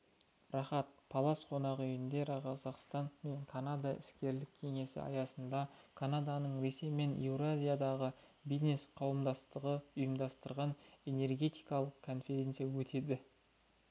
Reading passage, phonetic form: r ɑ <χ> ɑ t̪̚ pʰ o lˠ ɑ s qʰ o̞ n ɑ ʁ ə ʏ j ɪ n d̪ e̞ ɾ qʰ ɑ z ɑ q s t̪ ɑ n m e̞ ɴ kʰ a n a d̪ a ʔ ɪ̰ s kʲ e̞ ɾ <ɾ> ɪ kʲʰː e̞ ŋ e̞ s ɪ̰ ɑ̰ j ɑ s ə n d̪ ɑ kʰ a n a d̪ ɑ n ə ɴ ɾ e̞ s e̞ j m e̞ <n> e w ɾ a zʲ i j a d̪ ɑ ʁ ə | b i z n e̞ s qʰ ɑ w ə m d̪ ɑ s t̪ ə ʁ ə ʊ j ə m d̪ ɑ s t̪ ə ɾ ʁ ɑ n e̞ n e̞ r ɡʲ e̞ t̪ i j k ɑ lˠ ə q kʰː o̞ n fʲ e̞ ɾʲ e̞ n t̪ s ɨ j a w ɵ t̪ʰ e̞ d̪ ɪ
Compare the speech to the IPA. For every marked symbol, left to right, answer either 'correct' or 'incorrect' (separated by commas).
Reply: correct, incorrect, correct